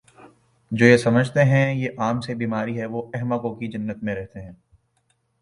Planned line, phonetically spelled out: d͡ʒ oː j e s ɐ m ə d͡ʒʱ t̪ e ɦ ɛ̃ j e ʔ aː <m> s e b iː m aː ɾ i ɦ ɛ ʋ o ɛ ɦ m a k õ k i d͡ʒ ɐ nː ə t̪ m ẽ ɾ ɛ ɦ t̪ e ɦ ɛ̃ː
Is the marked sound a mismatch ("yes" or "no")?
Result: no